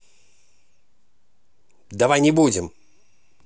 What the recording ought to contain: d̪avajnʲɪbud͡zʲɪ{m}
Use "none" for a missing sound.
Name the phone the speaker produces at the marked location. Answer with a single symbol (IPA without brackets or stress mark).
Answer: m